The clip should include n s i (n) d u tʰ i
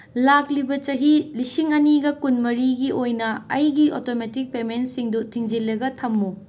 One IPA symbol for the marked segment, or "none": ŋ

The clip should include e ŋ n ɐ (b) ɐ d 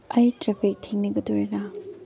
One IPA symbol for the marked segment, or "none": ɡ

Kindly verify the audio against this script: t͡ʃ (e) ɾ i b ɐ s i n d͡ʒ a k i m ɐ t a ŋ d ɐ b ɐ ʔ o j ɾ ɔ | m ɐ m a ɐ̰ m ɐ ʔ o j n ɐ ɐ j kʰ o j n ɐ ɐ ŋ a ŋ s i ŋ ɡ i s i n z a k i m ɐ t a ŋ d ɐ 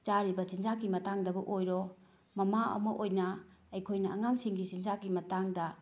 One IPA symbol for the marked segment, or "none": a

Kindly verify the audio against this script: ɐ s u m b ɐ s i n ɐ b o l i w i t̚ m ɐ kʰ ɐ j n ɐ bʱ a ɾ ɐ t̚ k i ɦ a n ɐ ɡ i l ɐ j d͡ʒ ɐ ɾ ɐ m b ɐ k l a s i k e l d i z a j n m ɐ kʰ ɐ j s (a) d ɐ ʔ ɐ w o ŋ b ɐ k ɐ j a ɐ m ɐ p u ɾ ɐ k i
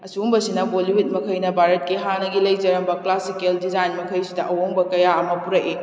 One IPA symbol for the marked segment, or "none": i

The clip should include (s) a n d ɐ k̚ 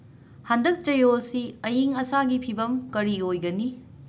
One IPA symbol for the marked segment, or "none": h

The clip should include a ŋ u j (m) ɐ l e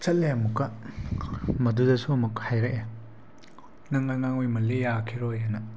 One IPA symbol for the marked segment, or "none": m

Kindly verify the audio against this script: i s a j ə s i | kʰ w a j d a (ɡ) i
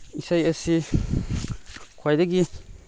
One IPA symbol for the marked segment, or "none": ɡ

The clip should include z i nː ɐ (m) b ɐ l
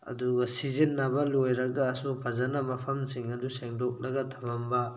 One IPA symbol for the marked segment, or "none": none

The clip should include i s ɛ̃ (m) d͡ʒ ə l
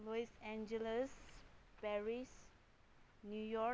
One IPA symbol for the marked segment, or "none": n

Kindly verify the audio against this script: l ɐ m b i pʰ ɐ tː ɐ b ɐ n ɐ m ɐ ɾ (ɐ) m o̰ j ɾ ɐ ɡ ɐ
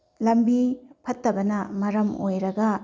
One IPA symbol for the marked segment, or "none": ɐ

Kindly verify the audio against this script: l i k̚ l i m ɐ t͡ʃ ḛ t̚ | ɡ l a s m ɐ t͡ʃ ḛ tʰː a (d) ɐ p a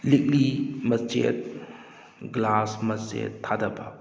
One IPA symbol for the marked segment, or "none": d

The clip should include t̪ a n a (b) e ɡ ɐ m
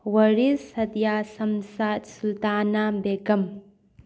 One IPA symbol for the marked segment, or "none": b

